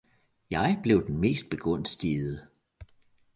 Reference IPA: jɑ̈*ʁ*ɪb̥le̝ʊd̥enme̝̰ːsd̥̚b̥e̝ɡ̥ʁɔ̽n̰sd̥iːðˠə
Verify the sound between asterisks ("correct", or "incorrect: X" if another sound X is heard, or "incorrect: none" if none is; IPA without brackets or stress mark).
incorrect: none